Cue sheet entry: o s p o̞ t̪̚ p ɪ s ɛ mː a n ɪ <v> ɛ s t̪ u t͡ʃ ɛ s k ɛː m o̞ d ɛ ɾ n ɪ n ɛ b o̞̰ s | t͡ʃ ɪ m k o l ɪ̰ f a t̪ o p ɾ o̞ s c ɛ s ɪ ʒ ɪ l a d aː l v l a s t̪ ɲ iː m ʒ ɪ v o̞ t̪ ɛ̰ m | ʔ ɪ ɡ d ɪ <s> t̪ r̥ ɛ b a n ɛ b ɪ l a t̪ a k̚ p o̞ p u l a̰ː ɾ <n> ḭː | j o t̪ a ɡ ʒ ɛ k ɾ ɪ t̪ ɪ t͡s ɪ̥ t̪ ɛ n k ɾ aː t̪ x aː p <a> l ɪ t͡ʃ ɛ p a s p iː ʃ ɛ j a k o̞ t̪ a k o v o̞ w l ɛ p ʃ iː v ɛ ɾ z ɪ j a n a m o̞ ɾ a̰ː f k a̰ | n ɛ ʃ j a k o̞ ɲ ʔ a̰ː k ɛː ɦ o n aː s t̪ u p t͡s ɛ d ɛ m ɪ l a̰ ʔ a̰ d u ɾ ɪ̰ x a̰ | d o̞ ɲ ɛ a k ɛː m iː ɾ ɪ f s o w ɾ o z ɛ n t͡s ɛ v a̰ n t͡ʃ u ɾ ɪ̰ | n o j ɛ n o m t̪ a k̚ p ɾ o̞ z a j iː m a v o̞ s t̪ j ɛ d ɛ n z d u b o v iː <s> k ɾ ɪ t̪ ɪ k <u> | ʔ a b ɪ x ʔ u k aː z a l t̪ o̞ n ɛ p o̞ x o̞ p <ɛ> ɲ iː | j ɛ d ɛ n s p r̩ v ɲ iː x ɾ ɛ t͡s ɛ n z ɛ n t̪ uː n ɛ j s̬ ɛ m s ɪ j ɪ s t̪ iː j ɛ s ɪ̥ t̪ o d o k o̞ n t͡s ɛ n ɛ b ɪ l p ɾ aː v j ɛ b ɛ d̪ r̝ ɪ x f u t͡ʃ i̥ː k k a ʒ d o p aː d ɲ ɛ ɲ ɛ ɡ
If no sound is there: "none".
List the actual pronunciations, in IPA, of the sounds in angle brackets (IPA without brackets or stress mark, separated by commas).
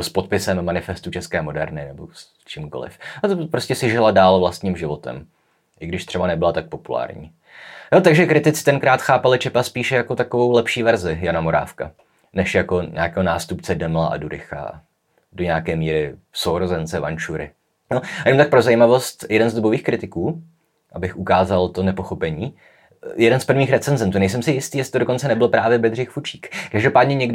f, ʃ, ɲ, a, x, uː, ɛ